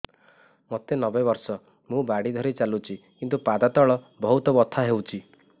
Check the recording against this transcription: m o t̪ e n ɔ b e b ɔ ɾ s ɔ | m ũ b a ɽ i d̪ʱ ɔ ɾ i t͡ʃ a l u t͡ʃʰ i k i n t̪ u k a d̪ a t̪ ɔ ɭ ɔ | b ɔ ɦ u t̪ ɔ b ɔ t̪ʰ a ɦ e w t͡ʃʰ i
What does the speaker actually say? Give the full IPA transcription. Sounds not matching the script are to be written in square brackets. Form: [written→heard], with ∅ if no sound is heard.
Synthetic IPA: m o t̪ e n ɔ b e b ɔ ɾ s ɔ | m ũ b a ɽ i d̪ʱ ɔ ɾ i t͡ʃ a l u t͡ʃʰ i k i n t̪ u [k→p] a d̪ a t̪ ɔ ɭ ɔ | b ɔ ɦ u t̪ ɔ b ɔ t̪ʰ a ɦ e w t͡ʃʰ i